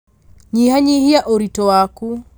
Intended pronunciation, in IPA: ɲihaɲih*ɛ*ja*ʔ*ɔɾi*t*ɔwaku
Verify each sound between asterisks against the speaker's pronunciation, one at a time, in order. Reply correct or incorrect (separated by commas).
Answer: incorrect, correct, correct